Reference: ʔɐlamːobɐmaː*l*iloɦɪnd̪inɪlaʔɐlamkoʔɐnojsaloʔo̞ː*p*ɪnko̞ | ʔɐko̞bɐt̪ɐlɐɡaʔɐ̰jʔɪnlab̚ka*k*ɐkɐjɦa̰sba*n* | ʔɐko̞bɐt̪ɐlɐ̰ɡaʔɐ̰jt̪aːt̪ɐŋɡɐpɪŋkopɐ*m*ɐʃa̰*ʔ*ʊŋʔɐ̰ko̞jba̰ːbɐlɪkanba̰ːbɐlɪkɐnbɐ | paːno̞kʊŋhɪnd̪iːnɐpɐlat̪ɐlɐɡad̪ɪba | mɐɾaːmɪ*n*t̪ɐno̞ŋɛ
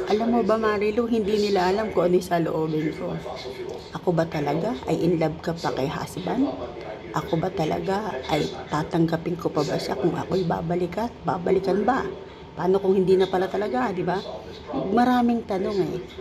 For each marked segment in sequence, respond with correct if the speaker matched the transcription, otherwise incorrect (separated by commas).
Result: incorrect, incorrect, incorrect, correct, incorrect, incorrect, incorrect